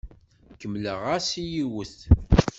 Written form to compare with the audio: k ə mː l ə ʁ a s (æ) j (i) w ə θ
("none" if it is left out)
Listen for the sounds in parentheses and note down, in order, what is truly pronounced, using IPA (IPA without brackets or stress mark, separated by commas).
i, i